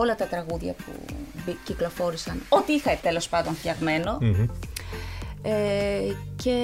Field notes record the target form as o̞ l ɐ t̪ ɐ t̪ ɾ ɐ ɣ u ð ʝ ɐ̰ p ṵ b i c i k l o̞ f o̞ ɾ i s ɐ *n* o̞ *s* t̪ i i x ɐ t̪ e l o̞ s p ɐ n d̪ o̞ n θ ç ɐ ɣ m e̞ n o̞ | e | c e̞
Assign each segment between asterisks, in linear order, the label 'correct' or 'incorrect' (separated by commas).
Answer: correct, incorrect